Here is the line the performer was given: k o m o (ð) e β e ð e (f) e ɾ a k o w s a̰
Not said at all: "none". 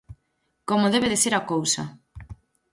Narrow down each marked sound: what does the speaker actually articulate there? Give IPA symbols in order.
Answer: ð, s

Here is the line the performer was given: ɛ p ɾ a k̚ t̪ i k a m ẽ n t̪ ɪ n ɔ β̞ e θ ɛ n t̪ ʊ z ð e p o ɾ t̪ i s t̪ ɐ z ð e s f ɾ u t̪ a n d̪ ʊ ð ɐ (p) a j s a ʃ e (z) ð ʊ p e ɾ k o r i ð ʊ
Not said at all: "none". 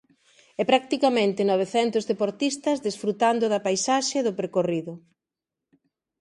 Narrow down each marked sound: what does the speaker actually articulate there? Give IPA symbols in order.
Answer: p, none

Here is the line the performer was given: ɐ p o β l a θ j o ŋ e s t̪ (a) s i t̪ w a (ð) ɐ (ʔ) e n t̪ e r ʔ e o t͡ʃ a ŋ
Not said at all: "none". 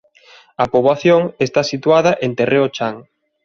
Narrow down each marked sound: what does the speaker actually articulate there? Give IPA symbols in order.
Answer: a, ð, ʔ

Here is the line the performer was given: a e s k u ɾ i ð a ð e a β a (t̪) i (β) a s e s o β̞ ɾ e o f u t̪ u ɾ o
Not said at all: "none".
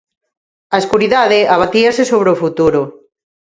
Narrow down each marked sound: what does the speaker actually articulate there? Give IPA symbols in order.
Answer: t̪, none

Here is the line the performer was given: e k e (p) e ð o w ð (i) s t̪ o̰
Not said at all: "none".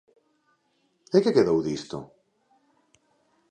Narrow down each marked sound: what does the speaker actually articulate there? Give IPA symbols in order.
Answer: k, i

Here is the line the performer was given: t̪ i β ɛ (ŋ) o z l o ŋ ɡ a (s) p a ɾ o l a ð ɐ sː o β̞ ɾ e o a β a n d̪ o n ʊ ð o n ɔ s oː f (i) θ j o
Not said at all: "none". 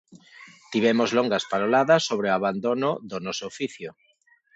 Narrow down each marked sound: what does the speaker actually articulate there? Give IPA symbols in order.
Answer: m, s, i

